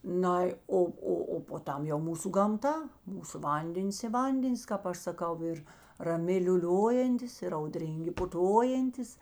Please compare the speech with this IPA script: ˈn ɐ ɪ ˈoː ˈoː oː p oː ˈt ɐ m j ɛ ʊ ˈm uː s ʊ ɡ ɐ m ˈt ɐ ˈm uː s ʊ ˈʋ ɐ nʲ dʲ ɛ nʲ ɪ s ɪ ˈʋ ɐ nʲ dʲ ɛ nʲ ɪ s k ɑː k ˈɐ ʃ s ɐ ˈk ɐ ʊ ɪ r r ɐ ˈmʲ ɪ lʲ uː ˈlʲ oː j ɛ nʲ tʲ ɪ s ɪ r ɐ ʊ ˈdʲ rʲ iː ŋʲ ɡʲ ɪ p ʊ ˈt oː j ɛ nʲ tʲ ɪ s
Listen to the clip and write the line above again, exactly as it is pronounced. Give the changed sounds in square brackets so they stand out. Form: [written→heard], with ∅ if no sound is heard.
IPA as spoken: ˈn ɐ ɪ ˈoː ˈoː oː p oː ˈt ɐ m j ɛ ʊ ˈm uː s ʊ ɡ ɐ m ˈt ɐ ˈm uː s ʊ ˈʋ ɐ nʲ dʲ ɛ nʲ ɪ s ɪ ˈʋ ɐ nʲ dʲ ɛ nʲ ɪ s k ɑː [k→p] ˈɐ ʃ s ɐ ˈk ɐ ʊ ɪ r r ɐ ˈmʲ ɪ lʲ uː ˈlʲ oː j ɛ nʲ tʲ ɪ s ɪ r ɐ ʊ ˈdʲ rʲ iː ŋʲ ɡʲ ɪ p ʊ ˈt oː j ɛ nʲ tʲ ɪ s